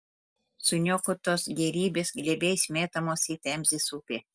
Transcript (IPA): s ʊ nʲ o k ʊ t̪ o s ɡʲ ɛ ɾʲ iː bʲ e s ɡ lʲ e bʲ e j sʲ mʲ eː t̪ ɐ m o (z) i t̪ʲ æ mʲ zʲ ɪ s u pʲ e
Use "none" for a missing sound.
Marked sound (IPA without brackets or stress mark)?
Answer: s